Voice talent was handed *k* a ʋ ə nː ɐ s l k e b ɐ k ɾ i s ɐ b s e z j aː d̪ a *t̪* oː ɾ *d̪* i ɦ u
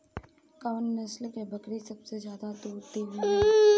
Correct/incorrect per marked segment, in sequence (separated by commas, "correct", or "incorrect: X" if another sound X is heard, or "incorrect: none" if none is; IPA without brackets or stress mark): correct, correct, incorrect: t̪